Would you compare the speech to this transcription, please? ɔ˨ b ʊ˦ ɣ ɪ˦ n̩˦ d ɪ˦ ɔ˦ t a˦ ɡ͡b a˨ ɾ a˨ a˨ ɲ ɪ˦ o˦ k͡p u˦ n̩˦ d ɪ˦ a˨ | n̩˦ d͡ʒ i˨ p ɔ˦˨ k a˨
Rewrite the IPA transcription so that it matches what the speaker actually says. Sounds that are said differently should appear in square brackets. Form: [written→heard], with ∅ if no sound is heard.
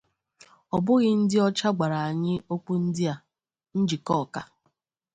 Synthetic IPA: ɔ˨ b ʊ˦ ɣ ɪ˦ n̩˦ d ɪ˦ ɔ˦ [t→t͡ʃ] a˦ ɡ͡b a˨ ɾ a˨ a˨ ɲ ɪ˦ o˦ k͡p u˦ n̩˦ d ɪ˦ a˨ | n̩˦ d͡ʒ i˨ [p→k] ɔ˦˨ k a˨